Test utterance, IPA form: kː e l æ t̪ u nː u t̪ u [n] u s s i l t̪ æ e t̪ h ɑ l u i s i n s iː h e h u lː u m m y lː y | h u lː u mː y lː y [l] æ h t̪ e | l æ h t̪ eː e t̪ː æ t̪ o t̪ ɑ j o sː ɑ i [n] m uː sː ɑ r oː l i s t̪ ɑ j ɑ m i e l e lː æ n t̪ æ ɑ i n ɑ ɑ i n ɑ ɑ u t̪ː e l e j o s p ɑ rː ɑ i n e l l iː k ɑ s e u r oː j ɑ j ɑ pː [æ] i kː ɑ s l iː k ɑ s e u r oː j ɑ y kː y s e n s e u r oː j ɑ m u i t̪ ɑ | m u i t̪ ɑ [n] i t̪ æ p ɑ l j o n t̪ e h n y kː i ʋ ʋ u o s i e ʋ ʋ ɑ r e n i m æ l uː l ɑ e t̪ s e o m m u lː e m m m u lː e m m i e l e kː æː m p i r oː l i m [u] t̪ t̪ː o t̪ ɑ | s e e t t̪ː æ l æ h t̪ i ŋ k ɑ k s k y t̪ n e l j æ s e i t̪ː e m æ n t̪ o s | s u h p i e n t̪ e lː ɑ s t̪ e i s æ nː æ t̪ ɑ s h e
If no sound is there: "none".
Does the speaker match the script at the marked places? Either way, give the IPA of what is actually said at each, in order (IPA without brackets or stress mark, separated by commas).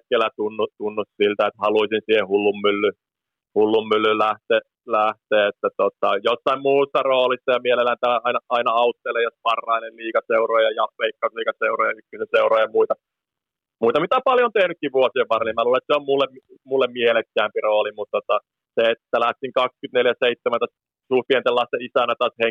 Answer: nː, l, m, e, m, u